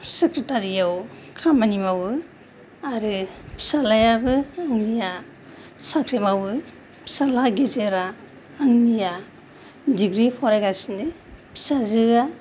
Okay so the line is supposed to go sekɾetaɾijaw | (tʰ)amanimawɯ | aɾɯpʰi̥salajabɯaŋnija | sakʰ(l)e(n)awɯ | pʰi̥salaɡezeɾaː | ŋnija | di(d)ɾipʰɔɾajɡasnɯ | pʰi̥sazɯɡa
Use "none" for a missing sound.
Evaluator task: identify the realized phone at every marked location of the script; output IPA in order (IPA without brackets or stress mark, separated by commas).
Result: kʰ, ɾ, m, ɡ